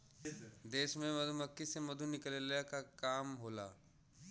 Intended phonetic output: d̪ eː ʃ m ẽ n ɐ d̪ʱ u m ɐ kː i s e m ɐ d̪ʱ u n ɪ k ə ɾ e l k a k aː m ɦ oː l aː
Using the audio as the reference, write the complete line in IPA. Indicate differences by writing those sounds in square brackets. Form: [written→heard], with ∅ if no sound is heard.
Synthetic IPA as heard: d̪ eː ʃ m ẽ [n→m] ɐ d̪ʱ u m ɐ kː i s e m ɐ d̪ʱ u n ɪ k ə [ɾ→l] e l k a k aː m ɦ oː l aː